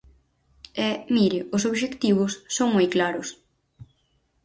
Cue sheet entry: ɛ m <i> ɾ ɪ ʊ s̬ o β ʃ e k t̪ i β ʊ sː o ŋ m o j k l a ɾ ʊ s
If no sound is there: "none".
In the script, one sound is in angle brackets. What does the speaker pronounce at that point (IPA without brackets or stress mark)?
i